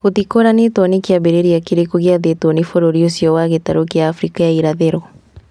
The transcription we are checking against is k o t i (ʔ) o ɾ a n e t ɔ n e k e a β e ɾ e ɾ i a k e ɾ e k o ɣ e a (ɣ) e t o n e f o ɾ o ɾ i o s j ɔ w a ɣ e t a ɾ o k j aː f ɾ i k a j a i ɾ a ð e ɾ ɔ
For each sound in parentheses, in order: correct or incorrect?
incorrect, incorrect

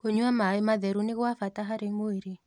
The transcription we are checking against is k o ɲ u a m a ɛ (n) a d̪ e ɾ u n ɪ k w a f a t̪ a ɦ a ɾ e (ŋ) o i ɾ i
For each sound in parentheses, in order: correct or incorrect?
incorrect, correct

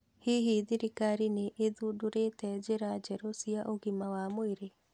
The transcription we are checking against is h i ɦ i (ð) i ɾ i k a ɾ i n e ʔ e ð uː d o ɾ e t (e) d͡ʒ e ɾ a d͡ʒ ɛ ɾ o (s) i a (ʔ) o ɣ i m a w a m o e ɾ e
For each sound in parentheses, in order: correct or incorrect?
correct, incorrect, correct, correct

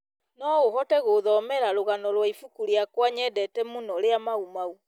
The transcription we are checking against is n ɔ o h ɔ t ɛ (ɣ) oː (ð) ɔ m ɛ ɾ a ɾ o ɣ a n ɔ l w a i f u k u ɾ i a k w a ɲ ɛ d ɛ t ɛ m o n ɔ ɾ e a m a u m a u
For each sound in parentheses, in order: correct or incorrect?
correct, correct

